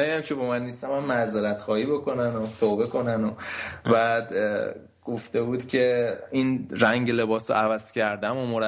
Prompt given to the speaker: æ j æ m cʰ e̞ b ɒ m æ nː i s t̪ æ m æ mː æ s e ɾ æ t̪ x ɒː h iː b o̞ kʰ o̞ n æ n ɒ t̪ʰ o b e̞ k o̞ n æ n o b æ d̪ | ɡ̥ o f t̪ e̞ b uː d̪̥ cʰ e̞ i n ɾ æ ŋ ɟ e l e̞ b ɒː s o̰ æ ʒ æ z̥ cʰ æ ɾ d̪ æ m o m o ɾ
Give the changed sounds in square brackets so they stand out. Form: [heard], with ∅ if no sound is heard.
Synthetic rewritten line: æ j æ m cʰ e̞ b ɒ m æ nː i s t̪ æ m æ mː æ [z] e ɾ æ t̪ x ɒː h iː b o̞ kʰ o̞ n æ n [o] t̪ʰ o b e̞ k o̞ n æ n o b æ d̪ | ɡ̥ o f t̪ e̞ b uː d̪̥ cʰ e̞ i n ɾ æ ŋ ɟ e l e̞ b ɒː s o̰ æ [v] æ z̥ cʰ æ ɾ d̪ æ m o m o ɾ